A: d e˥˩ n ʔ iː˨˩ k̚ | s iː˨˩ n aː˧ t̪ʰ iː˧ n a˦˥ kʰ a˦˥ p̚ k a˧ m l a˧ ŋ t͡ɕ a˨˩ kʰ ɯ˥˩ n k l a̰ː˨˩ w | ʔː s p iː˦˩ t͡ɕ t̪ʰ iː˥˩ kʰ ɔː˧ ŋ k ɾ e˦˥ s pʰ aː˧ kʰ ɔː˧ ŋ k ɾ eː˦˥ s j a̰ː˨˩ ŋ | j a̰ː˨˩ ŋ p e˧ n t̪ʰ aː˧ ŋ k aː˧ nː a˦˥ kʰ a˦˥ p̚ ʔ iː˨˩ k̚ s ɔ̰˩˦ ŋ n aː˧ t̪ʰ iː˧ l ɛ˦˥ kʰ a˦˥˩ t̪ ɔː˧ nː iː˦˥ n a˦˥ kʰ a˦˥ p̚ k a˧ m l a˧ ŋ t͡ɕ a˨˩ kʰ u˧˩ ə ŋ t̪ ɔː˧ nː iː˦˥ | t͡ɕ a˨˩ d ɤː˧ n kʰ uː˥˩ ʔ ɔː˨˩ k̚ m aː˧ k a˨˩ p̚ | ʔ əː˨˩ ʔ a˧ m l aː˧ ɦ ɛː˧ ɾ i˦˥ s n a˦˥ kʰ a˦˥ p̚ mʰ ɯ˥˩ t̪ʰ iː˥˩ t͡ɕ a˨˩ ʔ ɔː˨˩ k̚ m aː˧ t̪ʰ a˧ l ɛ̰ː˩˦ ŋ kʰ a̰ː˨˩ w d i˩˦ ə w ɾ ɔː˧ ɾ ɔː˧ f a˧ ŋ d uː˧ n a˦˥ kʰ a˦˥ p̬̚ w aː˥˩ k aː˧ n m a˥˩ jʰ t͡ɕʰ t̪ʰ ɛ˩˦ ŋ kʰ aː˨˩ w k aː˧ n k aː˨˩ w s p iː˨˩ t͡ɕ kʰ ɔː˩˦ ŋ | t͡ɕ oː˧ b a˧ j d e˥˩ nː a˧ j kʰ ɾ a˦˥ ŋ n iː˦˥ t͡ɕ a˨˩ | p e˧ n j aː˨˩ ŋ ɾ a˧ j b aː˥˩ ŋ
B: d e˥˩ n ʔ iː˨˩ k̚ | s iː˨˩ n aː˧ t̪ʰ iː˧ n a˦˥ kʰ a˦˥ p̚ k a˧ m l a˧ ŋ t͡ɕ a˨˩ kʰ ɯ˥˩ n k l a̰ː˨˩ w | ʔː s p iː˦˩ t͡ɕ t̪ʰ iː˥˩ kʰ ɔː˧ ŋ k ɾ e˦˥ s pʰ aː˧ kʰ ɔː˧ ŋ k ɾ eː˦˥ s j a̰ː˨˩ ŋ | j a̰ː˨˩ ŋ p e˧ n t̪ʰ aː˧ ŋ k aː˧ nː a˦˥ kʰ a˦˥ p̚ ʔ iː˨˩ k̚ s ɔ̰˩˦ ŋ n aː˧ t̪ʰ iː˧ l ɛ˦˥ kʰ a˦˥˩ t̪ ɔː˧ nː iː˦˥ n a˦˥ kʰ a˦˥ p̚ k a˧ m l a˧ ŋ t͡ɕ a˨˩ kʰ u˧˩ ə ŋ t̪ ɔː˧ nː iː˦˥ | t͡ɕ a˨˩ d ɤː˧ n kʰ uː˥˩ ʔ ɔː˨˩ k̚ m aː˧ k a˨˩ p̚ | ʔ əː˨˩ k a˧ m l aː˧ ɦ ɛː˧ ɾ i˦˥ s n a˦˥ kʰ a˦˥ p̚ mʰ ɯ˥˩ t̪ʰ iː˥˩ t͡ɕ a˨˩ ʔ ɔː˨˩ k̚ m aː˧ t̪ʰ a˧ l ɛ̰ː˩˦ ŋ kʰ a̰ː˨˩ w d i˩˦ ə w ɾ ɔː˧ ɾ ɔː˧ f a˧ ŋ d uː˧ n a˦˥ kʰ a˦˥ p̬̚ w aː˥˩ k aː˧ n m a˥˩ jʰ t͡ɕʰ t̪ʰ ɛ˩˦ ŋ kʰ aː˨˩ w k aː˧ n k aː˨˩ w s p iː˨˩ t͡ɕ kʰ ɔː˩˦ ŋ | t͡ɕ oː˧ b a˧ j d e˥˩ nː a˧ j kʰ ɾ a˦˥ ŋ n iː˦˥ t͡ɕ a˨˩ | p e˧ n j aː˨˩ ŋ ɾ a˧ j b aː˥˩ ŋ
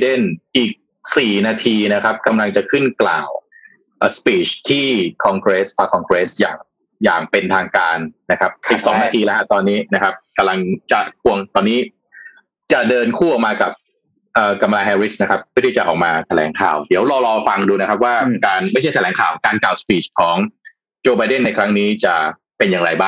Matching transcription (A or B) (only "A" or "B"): B